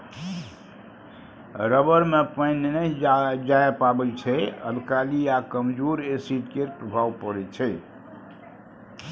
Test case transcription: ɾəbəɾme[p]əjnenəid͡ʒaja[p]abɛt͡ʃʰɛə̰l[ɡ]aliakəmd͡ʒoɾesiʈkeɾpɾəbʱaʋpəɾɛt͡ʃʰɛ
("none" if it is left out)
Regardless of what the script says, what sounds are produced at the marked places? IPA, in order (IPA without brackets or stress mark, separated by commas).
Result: p, p, k